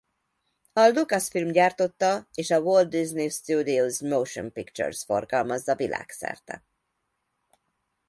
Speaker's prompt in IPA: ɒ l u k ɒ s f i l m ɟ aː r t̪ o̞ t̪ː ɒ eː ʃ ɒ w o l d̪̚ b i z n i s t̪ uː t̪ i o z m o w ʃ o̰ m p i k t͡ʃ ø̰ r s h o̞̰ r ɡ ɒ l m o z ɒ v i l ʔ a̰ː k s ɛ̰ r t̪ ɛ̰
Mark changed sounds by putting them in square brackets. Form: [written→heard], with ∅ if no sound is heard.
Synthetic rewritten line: ɒ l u k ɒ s f i l m ɟ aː r t̪ o̞ t̪ː ɒ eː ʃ ɒ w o l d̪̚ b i z n i s t̪ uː [t̪→d̪] i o z m o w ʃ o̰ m p i k t͡ʃ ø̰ r s [h→f] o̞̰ r ɡ ɒ l m [o→ɒ] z ɒ v i l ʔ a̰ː k s ɛ̰ r t̪ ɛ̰

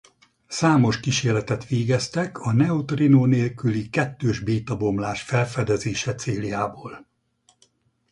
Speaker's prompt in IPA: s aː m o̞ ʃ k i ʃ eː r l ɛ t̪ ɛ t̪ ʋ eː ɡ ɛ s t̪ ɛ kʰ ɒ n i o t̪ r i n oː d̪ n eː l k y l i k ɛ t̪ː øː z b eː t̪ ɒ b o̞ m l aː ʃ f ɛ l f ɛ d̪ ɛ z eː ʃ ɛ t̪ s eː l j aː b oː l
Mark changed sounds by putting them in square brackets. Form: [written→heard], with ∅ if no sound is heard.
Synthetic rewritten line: s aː m o̞ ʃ k i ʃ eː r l ɛ t̪ ɛ t̪ ʋ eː ɡ ɛ s t̪ ɛ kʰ ɒ n [i→ɛ] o t̪ r i n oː [d̪→∅] n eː l k y l i k ɛ t̪ː øː [z→ʒ] b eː t̪ ɒ b o̞ m l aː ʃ f ɛ l f ɛ d̪ ɛ z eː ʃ ɛ t̪ s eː l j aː b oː l

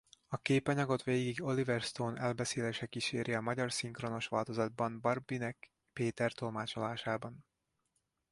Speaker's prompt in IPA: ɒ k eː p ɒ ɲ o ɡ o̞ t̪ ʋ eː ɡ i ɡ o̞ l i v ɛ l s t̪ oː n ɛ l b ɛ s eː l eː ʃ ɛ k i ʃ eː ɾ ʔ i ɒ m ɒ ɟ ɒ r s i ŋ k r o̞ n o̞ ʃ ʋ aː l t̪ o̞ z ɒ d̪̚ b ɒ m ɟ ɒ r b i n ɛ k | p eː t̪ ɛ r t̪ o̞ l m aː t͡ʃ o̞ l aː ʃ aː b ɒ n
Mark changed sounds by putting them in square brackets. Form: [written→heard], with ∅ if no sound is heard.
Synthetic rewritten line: ɒ k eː p ɒ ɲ [o→ɒ] ɡ o̞ t̪ ʋ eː ɡ i ɡ o̞ l i v ɛ [l→r] s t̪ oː n ɛ l b ɛ s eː l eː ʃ ɛ k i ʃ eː ɾ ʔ i ɒ m ɒ ɟ ɒ r s i ŋ k r o̞ n o̞ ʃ ʋ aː l t̪ o̞ z ɒ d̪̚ b ɒ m [ɟ→b] ɒ r b i n ɛ k | p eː t̪ ɛ r t̪ o̞ l m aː t͡ʃ o̞ l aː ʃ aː b ɒ n

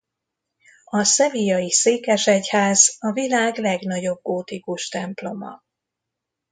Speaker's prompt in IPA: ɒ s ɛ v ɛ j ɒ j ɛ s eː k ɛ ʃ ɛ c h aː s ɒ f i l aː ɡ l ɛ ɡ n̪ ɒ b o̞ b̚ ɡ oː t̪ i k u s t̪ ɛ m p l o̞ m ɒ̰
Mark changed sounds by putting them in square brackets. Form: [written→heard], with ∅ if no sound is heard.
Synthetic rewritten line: ɒ s ɛ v [ɛ→i] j ɒ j [ɛ→i] s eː k ɛ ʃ ɛ c h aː [s→z] ɒ [f→v] i l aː ɡ l ɛ ɡ n̪ ɒ [b→ɟ] o̞ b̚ ɡ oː t̪ i k u [s→ʃ] t̪ ɛ m p l o̞ m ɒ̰

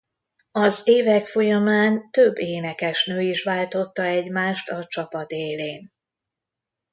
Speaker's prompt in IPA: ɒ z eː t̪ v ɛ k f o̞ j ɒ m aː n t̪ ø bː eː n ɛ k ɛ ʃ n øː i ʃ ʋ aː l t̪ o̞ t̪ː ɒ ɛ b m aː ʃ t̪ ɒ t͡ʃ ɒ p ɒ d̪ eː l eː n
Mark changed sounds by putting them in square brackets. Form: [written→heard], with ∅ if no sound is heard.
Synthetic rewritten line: ɒ z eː [t̪→∅] v ɛ k f o̞ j ɒ m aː n t̪ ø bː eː n ɛ k ɛ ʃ n øː i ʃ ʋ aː l t̪ o̞ t̪ː ɒ ɛ [b→ɟ] m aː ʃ t̪ ɒ t͡ʃ ɒ p ɒ d̪ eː l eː n

